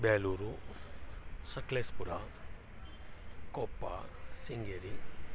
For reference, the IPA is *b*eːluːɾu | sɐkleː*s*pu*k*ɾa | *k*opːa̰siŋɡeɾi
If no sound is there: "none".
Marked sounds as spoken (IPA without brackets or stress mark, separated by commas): b, s, none, k